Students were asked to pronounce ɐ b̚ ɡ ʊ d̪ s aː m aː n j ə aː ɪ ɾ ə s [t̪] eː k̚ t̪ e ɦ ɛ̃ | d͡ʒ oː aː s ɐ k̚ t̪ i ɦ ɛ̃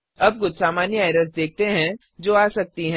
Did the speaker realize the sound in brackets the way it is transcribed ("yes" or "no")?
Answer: no